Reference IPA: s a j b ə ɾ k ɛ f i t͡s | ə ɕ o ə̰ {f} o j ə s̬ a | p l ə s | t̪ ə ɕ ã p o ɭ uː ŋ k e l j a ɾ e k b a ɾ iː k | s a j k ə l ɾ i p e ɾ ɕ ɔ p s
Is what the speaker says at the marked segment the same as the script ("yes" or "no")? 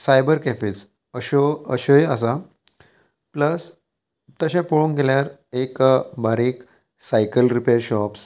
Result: no